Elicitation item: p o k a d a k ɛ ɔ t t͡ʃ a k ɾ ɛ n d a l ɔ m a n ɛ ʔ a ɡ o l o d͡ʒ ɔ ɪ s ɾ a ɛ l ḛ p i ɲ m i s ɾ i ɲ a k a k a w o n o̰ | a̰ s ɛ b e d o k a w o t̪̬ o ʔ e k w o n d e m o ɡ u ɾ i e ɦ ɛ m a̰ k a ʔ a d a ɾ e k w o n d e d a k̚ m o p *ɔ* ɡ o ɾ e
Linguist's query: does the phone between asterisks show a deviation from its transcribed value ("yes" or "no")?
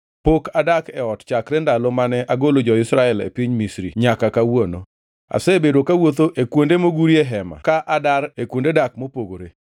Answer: yes